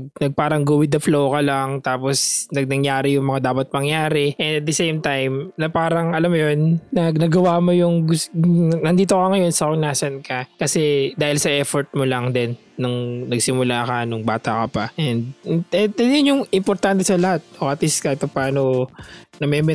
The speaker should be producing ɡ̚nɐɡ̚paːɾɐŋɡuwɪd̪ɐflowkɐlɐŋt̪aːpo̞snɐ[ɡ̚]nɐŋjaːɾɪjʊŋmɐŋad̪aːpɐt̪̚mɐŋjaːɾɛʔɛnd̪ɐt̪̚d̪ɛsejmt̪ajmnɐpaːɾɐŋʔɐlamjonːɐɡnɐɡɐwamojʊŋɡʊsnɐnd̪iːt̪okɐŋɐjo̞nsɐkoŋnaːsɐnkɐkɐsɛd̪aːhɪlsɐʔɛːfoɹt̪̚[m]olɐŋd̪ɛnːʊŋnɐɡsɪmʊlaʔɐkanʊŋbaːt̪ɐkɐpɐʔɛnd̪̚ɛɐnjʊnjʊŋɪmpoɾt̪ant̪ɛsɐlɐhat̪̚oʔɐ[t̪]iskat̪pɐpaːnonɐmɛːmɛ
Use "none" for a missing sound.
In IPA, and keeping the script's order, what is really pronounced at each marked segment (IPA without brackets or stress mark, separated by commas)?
ɡ̚, m, t̪